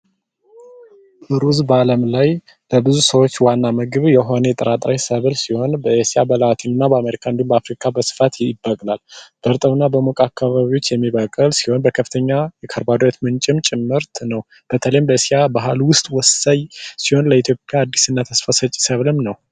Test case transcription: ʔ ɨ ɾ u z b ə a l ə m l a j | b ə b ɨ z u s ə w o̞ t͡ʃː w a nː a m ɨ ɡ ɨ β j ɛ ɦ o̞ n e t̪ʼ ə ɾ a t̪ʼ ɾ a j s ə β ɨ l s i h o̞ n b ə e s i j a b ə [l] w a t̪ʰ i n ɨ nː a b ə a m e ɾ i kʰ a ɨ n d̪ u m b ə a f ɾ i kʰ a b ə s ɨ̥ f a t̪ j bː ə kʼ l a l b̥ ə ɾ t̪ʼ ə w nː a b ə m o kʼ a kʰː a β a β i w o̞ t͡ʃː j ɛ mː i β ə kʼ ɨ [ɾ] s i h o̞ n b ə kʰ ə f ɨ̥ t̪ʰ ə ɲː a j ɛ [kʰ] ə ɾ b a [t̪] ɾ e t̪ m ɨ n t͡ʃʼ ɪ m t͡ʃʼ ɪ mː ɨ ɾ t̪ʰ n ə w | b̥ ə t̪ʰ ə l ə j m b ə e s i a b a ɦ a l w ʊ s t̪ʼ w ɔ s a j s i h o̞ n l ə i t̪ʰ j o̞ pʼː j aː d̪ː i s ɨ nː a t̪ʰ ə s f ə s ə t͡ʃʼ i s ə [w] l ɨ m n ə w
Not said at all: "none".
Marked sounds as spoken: l, l, kʰ, d̪, β

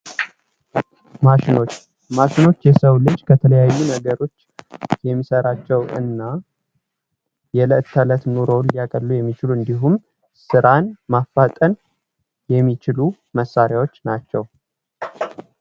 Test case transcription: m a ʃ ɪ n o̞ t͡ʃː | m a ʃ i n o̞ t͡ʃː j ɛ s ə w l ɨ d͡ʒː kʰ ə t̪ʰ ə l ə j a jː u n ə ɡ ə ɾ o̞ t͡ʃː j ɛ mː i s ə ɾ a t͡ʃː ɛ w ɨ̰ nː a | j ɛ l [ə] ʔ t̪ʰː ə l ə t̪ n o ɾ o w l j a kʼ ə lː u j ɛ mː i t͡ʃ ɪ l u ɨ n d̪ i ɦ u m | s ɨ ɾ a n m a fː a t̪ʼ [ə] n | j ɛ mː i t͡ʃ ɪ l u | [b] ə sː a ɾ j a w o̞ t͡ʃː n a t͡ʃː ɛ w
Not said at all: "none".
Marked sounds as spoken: ə, ə, m

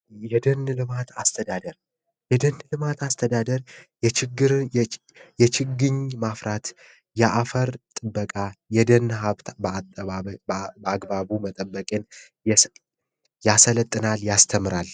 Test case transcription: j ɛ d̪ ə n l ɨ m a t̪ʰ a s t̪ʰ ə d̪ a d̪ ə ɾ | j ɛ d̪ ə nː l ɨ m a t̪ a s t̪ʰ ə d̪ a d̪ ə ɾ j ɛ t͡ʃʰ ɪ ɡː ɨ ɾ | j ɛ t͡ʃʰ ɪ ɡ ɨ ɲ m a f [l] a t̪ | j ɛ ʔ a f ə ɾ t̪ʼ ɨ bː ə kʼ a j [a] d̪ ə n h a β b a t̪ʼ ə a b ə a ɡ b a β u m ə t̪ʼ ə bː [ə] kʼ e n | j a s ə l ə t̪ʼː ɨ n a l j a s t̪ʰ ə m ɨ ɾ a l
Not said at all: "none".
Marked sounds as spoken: ɾ, ɛ, ə

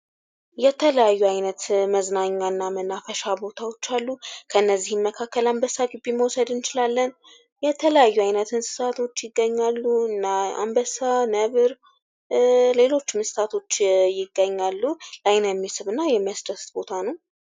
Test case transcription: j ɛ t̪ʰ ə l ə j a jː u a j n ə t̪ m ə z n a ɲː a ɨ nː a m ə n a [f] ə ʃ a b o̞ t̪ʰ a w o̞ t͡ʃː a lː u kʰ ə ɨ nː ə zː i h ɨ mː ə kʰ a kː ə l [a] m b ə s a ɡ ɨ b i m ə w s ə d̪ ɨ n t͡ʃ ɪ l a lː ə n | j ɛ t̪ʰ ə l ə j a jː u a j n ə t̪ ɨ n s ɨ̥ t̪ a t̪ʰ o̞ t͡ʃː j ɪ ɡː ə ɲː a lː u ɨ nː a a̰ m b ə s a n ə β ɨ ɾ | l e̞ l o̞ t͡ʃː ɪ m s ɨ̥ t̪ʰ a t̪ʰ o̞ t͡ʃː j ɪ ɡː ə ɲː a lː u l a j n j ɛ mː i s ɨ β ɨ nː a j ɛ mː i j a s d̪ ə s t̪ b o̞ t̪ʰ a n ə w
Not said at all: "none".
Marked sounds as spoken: f, a

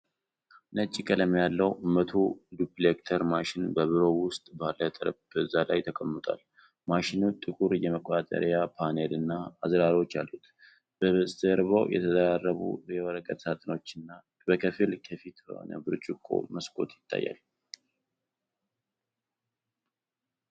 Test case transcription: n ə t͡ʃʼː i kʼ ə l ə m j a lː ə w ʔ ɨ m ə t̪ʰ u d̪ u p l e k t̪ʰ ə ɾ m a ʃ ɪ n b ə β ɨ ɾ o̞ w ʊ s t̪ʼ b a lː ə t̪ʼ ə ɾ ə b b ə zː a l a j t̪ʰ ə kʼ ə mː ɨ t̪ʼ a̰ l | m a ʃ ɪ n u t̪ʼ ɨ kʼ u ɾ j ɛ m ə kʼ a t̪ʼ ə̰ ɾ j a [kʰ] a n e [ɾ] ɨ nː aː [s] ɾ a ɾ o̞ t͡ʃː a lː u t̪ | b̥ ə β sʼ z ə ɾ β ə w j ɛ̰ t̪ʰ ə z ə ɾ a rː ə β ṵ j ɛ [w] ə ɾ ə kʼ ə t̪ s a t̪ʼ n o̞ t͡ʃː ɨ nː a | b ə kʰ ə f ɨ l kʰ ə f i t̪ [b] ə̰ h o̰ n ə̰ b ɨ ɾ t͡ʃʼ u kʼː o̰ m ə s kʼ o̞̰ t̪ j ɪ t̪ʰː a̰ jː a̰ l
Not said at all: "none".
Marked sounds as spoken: pʰ, l, z, w, b

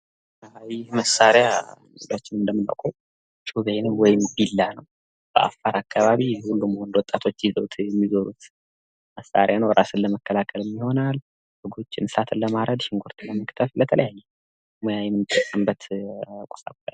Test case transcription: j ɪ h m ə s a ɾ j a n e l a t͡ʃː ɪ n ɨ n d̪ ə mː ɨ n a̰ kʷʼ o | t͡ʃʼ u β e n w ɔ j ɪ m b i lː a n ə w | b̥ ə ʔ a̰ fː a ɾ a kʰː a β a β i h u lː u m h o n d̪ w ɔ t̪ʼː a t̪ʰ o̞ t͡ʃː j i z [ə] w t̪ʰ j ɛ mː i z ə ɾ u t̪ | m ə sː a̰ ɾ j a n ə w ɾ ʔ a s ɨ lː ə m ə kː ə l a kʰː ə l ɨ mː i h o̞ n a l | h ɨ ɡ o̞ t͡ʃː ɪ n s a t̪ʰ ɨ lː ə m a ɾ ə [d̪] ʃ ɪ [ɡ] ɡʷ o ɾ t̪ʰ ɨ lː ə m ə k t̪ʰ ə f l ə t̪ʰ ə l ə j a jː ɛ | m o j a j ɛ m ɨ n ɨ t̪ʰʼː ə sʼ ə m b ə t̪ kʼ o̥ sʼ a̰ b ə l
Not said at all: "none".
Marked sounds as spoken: ə, d̪, ŋ

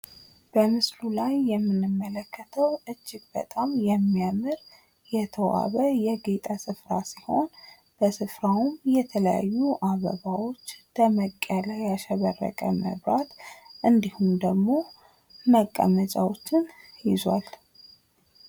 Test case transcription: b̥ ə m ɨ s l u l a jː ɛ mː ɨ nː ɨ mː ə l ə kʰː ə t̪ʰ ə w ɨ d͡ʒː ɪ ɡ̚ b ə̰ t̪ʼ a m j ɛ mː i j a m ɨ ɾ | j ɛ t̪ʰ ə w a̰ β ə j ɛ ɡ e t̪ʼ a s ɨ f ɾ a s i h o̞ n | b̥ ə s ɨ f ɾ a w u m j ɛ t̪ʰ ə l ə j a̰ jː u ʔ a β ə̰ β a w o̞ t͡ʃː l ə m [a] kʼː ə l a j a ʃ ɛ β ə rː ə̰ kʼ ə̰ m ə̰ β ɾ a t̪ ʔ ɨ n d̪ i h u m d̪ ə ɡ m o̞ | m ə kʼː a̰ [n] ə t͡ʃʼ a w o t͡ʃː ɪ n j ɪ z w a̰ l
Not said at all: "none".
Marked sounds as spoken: ə, m

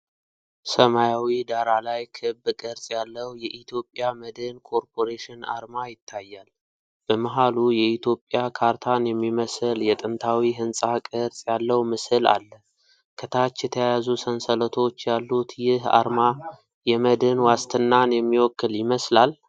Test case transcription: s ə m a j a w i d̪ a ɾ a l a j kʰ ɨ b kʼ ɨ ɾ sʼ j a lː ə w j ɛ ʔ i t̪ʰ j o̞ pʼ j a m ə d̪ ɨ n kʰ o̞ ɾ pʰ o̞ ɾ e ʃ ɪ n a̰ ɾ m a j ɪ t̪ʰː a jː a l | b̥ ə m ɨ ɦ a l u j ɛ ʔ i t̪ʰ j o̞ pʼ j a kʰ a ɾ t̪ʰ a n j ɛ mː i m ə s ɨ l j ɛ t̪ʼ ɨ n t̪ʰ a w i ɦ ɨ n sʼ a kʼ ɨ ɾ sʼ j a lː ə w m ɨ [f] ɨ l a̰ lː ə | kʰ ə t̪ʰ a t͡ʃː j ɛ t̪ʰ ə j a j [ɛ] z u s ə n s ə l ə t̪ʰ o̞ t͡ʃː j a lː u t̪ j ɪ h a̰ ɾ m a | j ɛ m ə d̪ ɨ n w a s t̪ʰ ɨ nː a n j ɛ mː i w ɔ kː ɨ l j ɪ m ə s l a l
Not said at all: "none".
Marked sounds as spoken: s, a

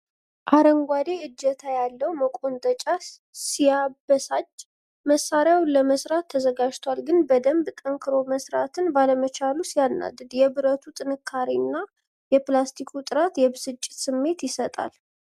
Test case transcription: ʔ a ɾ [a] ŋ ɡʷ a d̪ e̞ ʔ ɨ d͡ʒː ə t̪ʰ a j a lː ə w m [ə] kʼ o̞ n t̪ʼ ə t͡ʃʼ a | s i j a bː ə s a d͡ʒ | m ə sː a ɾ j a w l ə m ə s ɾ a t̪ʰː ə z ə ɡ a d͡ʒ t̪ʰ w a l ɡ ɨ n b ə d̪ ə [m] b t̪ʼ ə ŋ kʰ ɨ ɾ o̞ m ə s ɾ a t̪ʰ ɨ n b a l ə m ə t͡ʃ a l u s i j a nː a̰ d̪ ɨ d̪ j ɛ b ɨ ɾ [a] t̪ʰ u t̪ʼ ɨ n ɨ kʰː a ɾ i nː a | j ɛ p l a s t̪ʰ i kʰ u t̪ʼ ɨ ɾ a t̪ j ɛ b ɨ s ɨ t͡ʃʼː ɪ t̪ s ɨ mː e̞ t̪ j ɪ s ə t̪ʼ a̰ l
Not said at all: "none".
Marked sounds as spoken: ə, ə, m, ə

